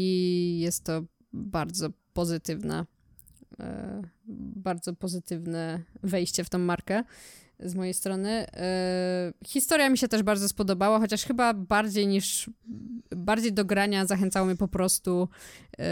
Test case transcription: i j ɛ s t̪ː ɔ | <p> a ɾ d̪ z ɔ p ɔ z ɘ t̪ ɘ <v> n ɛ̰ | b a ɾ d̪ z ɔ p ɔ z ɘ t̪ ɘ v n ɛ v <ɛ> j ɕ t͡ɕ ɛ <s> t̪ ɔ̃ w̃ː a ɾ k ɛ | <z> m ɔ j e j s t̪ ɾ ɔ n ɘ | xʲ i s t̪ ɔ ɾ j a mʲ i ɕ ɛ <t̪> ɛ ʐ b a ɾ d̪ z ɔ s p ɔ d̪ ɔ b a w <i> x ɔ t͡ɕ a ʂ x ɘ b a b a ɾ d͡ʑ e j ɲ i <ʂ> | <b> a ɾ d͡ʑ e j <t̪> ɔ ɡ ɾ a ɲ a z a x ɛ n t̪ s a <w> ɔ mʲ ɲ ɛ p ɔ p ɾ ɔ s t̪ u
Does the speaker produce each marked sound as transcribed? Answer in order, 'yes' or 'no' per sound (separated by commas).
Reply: no, yes, yes, no, yes, yes, no, yes, yes, no, yes